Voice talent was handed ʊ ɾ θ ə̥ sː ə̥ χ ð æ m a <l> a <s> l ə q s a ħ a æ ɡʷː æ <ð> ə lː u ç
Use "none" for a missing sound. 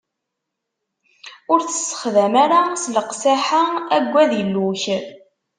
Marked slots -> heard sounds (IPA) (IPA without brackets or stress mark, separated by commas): ɾ, s, ð